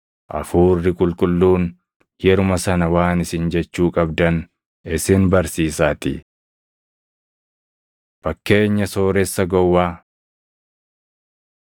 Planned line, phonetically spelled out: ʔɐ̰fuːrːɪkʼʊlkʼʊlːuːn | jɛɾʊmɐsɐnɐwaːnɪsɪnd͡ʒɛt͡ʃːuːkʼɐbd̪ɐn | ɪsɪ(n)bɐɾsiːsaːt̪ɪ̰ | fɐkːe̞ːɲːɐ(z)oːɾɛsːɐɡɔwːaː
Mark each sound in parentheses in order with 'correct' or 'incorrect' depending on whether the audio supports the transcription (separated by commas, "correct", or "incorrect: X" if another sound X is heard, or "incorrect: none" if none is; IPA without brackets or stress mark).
correct, incorrect: s